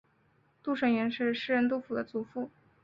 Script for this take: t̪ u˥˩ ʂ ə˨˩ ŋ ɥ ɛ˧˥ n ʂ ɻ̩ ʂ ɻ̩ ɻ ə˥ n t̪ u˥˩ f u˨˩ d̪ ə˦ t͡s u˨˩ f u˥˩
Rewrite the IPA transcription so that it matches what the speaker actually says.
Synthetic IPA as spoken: t̪ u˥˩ ʂ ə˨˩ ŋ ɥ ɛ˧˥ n ʂ ɻ̩ ʂ ɻ̩ ɻ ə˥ n t̪ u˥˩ f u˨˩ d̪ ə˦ t͡s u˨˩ f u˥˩